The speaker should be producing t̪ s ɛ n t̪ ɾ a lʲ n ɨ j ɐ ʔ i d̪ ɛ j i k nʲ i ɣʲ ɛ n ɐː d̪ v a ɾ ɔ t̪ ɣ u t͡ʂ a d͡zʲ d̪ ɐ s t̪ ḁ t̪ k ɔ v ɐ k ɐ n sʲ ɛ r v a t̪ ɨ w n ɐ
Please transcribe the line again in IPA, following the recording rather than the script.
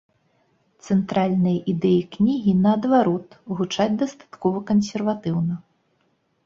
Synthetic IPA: t̪ s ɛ n t̪ ɾ a lʲ n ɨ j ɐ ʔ i d̪ ɛ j i k nʲ i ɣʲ i n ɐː d̪ v a ɾ ɔ t̪ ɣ u t͡ʂ a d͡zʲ d̪ ɐ s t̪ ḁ t̪ k ɔ v ɐ k ɐ n sʲ ɛ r v a t̪ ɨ w n ɐ